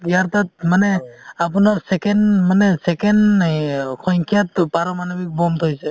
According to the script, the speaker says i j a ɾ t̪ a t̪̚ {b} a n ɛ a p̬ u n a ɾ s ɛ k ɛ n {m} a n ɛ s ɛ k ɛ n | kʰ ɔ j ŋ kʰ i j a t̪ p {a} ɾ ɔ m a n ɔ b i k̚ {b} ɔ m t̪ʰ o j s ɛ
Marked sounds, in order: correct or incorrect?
incorrect: m, correct, correct, correct

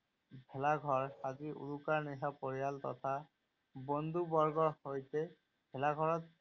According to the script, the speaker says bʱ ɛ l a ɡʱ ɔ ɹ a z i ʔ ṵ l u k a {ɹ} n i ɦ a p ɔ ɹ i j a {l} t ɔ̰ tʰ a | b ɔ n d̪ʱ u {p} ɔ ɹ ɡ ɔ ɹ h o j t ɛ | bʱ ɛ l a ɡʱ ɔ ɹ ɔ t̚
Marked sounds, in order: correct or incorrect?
correct, correct, incorrect: b

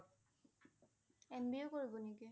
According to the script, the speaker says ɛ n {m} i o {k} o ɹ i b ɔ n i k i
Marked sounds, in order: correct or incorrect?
incorrect: b, correct

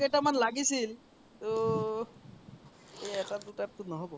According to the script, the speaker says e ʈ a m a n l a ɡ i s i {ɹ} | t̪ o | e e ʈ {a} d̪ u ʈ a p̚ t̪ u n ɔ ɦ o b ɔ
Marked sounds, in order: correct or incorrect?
incorrect: l, correct

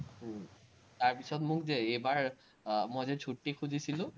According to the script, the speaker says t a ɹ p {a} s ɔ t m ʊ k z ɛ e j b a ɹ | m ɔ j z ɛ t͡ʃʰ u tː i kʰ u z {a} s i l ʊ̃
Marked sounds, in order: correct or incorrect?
incorrect: i, incorrect: i

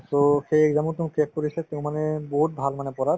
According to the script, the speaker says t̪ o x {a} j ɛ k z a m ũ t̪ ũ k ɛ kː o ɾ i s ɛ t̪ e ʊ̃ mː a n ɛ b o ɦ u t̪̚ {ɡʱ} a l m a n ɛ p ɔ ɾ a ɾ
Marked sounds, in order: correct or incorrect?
incorrect: e, incorrect: bʱ

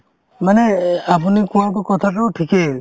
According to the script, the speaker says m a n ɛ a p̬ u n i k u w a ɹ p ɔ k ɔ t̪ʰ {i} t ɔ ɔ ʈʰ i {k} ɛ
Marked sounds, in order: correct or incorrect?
incorrect: a, correct

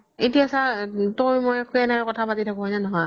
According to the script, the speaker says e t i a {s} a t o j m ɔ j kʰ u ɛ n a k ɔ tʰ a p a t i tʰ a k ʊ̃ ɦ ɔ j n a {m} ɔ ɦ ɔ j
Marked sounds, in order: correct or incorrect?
correct, incorrect: n

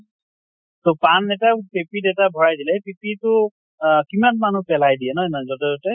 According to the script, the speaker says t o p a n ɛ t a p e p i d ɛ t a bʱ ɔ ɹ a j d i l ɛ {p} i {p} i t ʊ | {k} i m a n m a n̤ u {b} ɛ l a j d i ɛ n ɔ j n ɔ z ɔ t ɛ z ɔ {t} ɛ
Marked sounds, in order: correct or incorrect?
correct, correct, correct, incorrect: p, correct

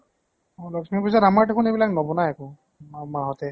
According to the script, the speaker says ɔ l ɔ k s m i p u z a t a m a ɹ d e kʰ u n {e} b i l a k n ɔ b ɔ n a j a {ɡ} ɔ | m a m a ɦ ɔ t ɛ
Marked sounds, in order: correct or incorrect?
correct, incorrect: k

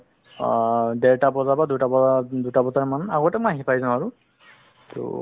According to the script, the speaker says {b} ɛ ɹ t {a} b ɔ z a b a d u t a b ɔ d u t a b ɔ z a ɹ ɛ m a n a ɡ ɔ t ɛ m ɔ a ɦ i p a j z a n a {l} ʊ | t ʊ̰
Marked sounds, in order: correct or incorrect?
incorrect: d, correct, incorrect: ɹ

